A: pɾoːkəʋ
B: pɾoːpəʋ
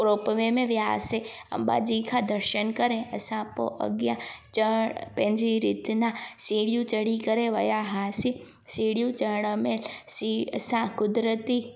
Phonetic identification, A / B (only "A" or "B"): B